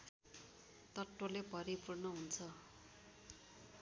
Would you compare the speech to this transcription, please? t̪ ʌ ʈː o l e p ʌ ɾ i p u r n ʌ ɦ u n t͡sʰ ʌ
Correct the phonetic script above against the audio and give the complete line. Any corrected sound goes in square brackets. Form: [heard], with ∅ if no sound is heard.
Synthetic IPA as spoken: t̪ ʌ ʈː o l e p ʌ ɾ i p u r n ʌ ɦ u n t͡sʰ ʌ